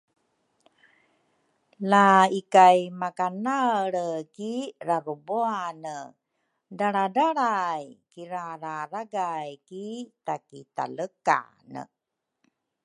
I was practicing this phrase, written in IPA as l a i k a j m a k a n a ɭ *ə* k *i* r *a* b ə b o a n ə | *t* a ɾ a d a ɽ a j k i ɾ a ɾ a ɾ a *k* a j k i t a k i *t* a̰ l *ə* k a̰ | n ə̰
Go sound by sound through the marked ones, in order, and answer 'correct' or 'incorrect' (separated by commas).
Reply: correct, correct, correct, incorrect, incorrect, correct, correct